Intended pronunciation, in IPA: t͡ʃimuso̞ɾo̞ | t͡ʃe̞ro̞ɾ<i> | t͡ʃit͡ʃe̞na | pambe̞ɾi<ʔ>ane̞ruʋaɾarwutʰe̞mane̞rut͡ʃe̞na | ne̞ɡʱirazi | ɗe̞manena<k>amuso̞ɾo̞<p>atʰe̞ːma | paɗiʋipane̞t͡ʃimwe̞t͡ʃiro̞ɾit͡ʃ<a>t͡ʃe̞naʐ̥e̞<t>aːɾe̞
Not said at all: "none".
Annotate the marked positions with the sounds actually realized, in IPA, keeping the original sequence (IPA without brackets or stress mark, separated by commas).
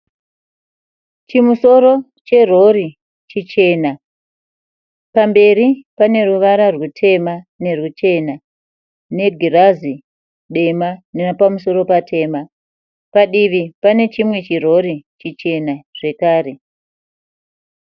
i, p, p, p, i, k